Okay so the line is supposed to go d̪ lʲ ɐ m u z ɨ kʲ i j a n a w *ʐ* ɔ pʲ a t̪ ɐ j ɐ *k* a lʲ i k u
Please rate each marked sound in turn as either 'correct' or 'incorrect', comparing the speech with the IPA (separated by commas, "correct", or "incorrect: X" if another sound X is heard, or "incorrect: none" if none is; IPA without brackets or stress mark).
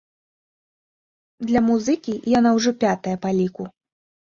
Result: correct, incorrect: p